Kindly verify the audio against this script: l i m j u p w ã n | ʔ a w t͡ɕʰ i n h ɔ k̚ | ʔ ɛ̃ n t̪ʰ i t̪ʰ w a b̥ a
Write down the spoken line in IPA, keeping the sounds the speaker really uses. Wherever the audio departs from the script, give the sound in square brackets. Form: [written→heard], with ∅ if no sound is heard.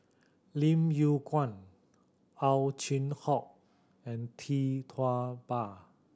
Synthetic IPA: l i m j u [p→k] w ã n | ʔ a w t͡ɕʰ i n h ɔ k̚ | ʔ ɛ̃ n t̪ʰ i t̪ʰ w a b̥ a